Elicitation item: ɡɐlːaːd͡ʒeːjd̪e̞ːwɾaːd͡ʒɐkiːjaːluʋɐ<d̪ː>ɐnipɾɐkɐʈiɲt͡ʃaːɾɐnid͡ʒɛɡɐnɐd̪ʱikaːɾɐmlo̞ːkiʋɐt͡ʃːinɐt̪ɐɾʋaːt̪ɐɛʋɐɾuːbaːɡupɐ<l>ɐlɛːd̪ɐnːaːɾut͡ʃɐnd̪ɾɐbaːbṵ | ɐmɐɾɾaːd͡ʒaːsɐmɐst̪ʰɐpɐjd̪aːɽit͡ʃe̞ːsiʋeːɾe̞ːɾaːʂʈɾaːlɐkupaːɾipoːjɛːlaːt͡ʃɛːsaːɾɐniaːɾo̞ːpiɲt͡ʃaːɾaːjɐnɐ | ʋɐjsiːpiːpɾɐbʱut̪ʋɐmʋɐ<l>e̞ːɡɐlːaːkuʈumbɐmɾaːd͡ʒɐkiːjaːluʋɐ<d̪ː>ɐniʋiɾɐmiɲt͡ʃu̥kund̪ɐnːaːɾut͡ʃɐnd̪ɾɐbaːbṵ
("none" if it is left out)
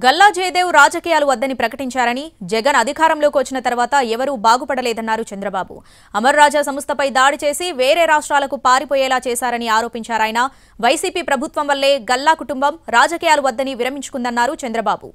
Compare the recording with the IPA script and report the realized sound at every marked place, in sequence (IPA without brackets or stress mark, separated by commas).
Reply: d̪ː, ɽ, lː, d̪ː